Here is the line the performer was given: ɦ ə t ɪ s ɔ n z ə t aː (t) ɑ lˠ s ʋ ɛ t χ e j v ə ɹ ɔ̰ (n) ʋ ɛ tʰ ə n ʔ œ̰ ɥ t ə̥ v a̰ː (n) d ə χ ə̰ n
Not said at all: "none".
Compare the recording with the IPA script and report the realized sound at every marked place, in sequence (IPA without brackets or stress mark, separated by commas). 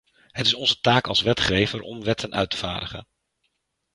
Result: k, m, none